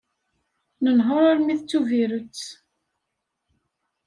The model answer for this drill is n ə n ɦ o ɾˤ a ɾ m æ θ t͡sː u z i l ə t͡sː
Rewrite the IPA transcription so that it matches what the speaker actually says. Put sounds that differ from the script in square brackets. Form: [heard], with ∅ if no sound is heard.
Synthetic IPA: n ə n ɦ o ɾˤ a ɾ m [i] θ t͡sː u [v] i [ɾ] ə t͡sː